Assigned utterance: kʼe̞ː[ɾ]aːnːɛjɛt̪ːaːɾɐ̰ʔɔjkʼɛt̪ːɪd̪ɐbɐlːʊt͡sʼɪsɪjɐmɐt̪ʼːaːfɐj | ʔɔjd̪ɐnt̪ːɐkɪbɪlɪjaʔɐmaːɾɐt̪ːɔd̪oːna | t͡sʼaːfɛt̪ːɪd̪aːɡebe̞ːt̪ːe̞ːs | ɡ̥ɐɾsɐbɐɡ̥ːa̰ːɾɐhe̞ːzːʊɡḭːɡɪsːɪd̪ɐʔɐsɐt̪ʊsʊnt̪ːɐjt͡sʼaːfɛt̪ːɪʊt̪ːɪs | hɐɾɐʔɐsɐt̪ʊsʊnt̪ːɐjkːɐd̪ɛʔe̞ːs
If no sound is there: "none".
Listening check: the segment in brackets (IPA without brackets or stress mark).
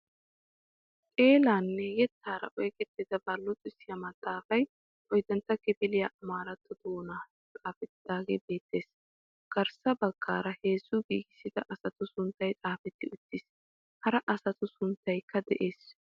l